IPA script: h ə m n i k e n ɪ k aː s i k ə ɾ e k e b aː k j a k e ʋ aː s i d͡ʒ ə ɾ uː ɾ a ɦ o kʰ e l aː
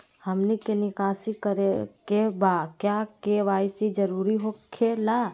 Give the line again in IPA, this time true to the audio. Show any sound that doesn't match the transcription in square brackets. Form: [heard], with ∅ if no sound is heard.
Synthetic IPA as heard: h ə m n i k e n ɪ k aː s i k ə ɾ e k e b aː k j a k e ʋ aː s i d͡ʒ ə ɾ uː ɾ [i] ɦ o kʰ e l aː